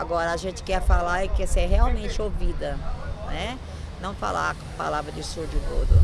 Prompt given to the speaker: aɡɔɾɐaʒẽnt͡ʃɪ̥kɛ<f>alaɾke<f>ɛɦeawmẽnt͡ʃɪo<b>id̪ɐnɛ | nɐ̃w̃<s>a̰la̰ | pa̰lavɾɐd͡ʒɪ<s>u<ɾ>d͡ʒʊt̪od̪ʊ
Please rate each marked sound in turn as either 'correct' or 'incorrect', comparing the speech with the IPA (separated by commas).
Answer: correct, incorrect, incorrect, incorrect, correct, correct